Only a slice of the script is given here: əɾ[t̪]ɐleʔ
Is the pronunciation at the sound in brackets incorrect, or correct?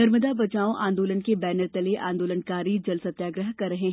correct